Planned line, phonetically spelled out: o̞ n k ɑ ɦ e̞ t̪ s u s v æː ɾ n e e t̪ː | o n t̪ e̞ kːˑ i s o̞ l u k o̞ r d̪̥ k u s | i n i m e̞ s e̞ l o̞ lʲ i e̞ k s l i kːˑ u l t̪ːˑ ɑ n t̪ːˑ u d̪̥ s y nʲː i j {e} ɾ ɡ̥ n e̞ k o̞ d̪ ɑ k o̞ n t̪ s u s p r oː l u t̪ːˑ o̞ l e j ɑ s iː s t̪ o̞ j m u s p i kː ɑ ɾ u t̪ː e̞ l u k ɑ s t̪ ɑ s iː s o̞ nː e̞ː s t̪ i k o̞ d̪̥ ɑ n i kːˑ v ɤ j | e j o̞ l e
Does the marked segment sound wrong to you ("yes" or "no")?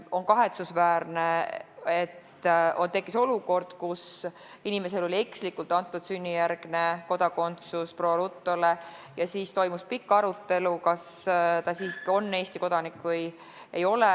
yes